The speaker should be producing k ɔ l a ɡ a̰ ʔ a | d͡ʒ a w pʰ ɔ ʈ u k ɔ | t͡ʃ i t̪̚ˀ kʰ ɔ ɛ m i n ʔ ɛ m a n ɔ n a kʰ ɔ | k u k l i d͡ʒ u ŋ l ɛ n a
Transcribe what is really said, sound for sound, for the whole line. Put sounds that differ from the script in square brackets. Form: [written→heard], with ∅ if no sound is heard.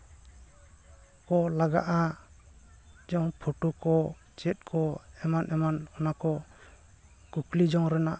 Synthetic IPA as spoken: k ɔ l a ɡ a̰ ʔ a | d͡ʒ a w pʰ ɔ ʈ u k ɔ | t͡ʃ [i→ɛ] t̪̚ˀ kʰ ɔ ɛ m [i→a] n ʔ ɛ m a n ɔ n a [kʰ→k] ɔ | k u k l i d͡ʒ [u→ɔ] ŋ [l→ɾ] ɛ n a

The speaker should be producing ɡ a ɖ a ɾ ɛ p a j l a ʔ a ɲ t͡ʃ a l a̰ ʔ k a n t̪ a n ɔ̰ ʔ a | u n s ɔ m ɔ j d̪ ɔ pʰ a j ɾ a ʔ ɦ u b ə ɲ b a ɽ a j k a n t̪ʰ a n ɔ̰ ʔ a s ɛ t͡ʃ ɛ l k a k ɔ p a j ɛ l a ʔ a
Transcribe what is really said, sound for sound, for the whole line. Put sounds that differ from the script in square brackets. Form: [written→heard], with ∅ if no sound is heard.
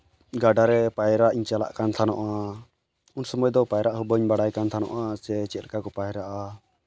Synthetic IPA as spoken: ɡ a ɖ a ɾ ɛ p a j [l→ɾ] a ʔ [a→i] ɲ t͡ʃ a l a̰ ʔ k a n [t̪→t̪ʰ] a n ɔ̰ ʔ a | u n s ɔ m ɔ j d̪ ɔ [pʰ→p] a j ɾ a ʔ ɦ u b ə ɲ b a ɽ a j k a n t̪ʰ a n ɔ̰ ʔ a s ɛ t͡ʃ ɛ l k a k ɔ p a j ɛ [l→ɾ] a ʔ a

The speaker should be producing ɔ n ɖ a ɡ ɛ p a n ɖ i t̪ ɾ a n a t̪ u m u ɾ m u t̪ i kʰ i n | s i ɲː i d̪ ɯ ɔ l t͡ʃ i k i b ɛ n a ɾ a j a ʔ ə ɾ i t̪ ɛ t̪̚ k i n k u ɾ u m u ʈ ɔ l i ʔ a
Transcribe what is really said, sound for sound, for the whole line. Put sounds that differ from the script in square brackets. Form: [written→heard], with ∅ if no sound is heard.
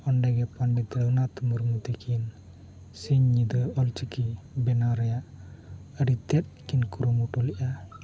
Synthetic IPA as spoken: ɔ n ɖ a ɡ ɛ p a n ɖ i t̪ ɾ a n a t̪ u m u ɾ m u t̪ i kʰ i n | s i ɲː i d̪ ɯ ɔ l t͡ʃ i k i b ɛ n a ɾ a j a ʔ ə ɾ i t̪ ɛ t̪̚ k i n k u ɾ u m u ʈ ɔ l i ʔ a

